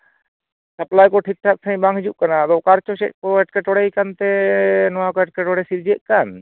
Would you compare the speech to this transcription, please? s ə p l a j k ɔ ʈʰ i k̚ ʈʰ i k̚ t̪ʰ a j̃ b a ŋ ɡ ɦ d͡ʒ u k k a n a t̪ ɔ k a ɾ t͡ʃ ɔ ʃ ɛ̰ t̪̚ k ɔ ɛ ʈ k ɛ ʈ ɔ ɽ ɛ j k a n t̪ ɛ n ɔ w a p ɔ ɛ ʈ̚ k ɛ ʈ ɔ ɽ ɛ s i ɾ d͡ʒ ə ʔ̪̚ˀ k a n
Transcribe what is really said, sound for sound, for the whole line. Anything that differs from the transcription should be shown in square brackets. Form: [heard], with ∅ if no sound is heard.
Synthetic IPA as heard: s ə p l a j k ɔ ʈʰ i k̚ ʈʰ [a] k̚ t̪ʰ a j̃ b a ŋ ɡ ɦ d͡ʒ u [ʔ] k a n a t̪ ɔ k a ɾ t͡ʃ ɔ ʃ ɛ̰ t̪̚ k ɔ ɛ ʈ k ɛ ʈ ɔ ɽ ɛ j k a n t̪ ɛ n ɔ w a [k] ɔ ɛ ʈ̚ k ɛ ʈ ɔ ɽ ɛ s i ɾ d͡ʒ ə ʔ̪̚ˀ k a n